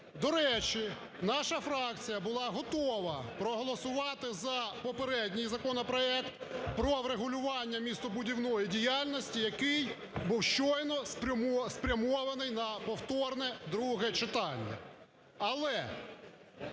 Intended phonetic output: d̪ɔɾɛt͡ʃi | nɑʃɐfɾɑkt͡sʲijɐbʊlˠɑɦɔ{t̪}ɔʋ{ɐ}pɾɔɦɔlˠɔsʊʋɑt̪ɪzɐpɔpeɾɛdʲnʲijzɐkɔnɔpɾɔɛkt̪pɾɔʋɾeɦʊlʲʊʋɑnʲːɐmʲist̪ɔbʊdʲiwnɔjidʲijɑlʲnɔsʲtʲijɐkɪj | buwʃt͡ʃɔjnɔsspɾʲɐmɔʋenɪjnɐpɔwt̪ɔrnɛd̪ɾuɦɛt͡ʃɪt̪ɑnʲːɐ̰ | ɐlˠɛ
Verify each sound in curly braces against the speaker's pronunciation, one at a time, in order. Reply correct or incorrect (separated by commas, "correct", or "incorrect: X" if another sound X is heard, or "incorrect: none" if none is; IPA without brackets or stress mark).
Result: correct, correct